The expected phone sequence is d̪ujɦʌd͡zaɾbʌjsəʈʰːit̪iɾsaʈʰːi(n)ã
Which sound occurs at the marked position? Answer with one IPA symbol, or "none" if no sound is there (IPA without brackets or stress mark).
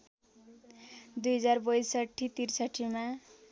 m